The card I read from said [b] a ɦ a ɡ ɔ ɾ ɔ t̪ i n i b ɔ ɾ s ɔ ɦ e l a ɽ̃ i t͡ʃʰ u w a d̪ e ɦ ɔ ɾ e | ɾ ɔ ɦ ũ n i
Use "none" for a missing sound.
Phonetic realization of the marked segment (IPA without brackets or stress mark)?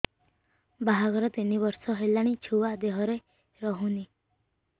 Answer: b